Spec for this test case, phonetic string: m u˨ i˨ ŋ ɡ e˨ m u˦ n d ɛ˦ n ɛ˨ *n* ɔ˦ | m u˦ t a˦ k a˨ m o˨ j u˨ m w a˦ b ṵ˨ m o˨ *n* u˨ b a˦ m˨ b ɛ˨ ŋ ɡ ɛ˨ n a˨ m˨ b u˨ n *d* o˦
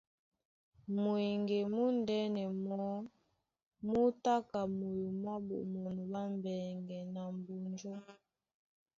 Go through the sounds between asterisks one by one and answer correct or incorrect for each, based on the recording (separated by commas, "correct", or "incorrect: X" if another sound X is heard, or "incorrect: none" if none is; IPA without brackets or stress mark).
incorrect: m, correct, incorrect: d͡ʒ